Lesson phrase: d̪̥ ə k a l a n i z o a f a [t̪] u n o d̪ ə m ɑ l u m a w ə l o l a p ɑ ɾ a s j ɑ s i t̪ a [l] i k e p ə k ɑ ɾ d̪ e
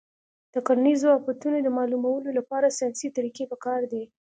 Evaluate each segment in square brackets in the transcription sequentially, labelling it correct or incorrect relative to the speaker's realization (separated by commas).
correct, incorrect